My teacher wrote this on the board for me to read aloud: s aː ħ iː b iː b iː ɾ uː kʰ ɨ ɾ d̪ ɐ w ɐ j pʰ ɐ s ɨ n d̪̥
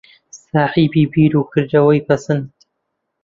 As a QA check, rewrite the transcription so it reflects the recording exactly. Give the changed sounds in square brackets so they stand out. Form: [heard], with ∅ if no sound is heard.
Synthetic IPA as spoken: s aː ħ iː b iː b iː ɾ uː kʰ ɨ ɾ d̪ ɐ w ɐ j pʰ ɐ s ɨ n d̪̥